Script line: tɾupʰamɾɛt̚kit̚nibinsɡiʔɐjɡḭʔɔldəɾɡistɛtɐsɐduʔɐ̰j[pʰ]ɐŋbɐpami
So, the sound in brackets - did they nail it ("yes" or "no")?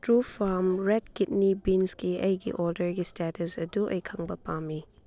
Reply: no